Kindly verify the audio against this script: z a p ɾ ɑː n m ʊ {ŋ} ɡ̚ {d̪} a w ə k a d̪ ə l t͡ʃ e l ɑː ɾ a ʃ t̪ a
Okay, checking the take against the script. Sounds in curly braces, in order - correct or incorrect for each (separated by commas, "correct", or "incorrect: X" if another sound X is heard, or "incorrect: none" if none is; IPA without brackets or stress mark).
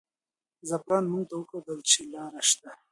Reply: correct, incorrect: t̪